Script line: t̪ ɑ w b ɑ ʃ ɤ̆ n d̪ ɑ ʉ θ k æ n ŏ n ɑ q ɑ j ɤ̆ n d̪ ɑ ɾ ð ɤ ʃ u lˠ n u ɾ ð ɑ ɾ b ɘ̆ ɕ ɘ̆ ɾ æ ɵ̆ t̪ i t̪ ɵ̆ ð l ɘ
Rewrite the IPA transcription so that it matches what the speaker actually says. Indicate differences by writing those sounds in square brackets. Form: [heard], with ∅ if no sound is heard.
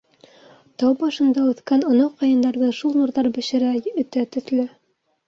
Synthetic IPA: t̪ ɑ w b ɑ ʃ ɤ̆ n d̪ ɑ ʉ θ k æ n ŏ n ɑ q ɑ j ɤ̆ n d̪ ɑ ɾ ð ɤ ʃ u lˠ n u ɾ ð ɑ ɾ b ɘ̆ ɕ ɘ̆ ɾ æ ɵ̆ t̪ [æ] t̪ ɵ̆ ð l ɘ